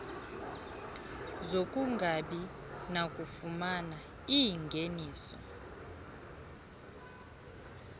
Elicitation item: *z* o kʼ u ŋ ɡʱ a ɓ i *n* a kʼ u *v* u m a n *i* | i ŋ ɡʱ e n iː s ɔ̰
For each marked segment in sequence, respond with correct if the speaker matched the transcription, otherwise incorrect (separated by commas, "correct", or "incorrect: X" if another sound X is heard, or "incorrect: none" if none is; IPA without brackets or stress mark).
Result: correct, correct, incorrect: f, incorrect: a